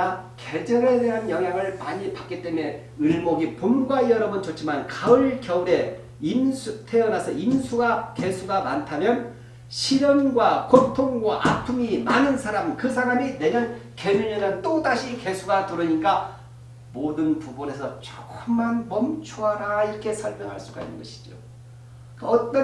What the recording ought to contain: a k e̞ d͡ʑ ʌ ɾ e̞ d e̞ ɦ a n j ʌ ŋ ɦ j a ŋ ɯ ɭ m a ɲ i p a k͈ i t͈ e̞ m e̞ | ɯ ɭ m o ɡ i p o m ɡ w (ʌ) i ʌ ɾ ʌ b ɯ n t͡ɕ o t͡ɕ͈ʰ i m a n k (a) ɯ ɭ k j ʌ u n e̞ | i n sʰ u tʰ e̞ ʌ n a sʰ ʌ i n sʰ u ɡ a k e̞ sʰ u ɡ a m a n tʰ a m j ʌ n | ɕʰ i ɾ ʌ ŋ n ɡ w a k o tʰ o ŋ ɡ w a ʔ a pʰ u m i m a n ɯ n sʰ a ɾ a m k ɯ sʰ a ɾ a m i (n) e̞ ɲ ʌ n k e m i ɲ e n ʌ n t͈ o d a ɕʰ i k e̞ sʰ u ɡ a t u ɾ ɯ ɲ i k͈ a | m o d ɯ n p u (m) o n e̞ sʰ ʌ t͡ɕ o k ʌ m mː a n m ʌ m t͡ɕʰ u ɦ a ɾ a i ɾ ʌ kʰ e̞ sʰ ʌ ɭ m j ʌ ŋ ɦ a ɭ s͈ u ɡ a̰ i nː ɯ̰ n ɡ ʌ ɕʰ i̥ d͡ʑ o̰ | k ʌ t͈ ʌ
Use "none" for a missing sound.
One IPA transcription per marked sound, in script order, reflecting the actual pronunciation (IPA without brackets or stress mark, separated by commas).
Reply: a, a, n, b